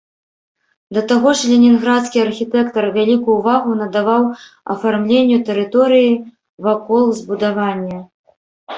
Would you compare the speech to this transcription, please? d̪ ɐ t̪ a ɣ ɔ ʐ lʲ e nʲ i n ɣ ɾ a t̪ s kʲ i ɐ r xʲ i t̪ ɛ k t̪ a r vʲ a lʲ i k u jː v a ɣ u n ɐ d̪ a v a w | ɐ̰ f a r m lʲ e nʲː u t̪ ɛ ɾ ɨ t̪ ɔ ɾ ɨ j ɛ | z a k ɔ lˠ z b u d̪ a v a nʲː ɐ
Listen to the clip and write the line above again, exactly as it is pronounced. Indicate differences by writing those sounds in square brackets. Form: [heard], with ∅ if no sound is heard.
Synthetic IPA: d̪ ɐ t̪ a ɣ ɔ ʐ lʲ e nʲ i n ɣ ɾ a t̪ s kʲ i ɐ r xʲ i t̪ ɛ k t̪ [ɐ] r vʲ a lʲ i k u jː v a ɣ u n ɐ d̪ a v a w | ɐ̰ f a r m lʲ e nʲː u t̪ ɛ ɾ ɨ t̪ ɔ ɾ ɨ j [i] | [v] a k ɔ lˠ z b u d̪ a v a nʲː ɐ